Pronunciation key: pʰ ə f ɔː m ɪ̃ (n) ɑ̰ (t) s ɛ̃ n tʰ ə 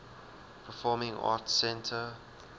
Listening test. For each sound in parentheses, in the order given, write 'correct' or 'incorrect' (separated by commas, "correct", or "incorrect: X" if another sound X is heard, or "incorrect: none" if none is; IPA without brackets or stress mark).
incorrect: ŋ, correct